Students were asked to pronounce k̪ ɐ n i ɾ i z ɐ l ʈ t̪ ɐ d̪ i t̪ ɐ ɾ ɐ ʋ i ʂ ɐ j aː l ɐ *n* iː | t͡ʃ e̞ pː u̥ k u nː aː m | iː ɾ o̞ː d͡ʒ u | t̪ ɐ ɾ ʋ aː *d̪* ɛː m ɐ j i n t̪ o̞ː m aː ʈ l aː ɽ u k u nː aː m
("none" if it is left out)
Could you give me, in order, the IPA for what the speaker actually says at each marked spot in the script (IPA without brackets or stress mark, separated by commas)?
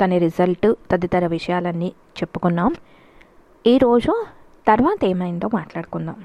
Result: nː, t̪